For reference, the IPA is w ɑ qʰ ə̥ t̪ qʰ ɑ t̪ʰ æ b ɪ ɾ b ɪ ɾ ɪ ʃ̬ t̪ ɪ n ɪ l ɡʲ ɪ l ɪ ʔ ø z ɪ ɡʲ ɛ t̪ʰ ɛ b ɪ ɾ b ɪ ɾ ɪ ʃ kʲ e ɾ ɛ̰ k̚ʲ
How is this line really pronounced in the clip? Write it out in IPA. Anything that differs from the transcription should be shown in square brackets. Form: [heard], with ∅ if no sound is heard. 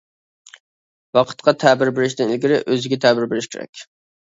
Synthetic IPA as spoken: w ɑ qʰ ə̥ t̪ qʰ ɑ t̪ʰ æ b ɪ ɾ b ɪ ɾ ɪ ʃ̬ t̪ ɪ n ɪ l ɡʲ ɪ [ɾ] ɪ ʔ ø z ɪ ɡʲ ɛ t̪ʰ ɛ b ɪ ɾ b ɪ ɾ ɪ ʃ kʲ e ɾ ɛ̰ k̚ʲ